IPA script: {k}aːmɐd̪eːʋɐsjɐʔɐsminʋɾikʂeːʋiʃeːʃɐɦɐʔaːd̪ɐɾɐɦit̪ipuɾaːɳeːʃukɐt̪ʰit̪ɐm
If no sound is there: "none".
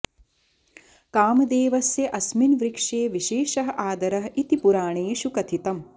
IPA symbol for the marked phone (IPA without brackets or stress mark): k